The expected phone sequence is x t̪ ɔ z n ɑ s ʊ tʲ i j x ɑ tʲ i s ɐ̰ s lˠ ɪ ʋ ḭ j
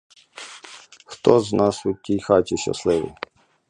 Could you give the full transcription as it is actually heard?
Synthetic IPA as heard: x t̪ ɔ z n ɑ s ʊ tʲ i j x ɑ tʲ i ʃ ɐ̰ s lˠ ɪ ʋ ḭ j